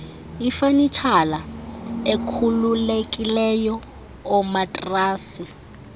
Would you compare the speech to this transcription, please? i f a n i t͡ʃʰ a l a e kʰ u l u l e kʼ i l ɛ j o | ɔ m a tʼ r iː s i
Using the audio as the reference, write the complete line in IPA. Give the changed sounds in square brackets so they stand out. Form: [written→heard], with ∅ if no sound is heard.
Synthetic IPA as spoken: i f a n i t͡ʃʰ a l a e kʰ u l u l e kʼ i l ɛ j [o→ɔ] | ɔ m a tʼ r [iː→aː] s i

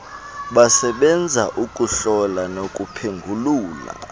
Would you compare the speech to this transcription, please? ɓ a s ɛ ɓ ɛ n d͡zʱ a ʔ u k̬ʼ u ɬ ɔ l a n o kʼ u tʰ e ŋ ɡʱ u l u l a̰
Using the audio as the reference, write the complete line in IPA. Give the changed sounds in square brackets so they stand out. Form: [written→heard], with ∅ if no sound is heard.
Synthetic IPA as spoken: ɓ a s ɛ ɓ ɛ n d͡zʱ a ʔ u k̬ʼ u ɬ ɔ l a n o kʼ u [tʰ→pʰ] e ŋ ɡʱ u l [u→uː] l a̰

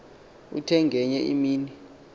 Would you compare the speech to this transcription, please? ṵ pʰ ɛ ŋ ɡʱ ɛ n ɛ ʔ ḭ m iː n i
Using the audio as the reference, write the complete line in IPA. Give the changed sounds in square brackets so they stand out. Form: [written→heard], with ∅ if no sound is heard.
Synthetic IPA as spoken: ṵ [pʰ→tʰ] ɛ ŋ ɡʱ ɛ [n→ɲ] ɛ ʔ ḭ m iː n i

